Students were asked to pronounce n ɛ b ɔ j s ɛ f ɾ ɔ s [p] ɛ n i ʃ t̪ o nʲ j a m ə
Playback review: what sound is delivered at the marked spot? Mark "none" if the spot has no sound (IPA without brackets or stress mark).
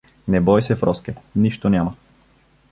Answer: k